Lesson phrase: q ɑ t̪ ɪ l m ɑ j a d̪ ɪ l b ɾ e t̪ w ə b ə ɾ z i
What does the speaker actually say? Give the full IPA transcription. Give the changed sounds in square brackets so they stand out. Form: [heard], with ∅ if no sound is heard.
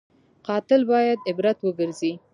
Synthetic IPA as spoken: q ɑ t̪ ɪ l [b] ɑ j a d̪ ɪ [∅] b ɾ [a] t̪ w ə [ɡ] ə ɾ z i